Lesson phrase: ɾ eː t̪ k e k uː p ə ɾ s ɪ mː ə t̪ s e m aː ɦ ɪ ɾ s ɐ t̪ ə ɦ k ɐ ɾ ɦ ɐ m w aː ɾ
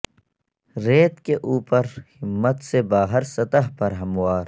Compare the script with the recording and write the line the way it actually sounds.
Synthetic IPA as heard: ɾ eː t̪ k e ʔ uː p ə ɾ h ɪ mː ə t̪ s e b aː ɦ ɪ ɾ s ɐ t̪ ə ɦ p ɐ ɾ ɦ ɐ m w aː ɾ